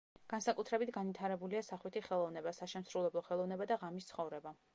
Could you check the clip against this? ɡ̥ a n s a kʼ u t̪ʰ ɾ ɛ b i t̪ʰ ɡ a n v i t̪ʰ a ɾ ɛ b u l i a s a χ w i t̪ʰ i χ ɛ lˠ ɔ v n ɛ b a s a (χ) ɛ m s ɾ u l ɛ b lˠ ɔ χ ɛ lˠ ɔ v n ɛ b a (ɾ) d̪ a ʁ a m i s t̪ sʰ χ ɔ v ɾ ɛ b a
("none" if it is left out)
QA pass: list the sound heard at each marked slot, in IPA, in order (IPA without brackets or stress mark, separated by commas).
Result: ʃ, none